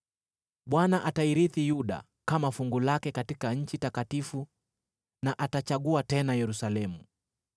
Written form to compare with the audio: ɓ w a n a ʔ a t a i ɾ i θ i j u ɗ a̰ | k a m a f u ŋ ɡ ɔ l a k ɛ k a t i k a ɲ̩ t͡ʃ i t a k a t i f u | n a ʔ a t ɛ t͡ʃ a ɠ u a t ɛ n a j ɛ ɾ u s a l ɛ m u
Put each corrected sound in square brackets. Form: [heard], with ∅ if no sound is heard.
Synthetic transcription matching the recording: ɓ w a n a ʔ a t a i ɾ i θ i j u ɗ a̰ | k a m a f u ŋ ɡ [u] l a k ɛ k a t i k a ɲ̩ t͡ʃ i t a k a t i f u | n a ʔ a t [a] t͡ʃ a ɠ u a t ɛ n a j ɛ ɾ u s a l ɛ m u